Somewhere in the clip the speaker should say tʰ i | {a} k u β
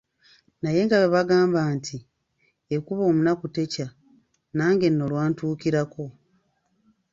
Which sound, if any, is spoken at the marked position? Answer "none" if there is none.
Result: e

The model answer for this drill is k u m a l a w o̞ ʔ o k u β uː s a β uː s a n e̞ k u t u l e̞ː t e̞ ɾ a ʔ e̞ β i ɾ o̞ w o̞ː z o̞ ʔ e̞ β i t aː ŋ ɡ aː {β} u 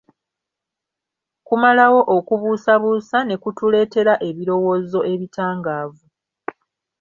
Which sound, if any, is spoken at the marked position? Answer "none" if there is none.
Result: v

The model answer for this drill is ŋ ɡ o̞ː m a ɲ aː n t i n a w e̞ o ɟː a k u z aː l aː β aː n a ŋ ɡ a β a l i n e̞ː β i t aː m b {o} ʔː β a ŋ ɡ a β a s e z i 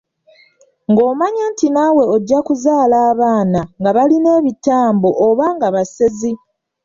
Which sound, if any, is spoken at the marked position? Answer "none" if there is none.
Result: o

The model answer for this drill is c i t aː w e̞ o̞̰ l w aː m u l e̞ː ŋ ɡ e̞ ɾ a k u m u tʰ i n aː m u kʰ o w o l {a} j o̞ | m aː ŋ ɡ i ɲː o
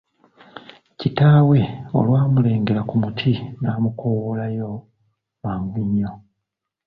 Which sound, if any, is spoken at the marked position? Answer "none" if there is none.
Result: a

